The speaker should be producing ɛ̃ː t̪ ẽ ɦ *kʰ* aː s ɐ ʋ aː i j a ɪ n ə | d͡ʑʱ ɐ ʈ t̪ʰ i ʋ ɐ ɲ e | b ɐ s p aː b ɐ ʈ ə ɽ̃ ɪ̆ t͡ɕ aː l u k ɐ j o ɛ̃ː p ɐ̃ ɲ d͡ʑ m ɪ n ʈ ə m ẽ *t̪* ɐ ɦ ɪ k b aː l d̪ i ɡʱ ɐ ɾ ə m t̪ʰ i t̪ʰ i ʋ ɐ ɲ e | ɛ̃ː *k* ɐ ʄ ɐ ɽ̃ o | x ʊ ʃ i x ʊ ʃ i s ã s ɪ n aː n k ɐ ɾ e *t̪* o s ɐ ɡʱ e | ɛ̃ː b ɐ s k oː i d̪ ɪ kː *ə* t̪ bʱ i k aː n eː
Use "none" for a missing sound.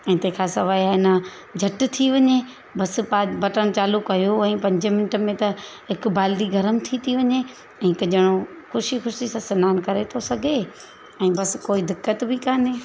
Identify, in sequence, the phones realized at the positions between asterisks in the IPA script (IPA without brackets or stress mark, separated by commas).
kʰ, t̪, k, t̪ʰ, ə